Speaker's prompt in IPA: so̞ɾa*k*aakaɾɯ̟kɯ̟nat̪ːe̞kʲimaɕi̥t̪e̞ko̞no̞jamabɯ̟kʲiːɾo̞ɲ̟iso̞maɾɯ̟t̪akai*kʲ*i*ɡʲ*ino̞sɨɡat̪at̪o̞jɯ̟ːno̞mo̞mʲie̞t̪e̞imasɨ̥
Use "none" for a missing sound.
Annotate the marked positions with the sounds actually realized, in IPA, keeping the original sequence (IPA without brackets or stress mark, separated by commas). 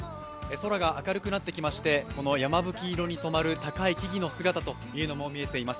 ɡ, kʲ, ɡʲ